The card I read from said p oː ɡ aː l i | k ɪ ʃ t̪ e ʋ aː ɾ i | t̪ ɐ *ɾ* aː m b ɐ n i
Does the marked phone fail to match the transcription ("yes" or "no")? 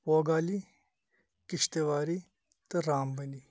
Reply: no